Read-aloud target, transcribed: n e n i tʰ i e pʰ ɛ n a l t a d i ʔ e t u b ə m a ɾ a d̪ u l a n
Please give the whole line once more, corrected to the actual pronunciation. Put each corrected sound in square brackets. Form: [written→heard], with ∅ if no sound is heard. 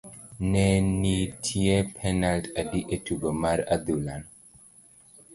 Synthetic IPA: n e n i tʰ i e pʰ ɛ n a l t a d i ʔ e t u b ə m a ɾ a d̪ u l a n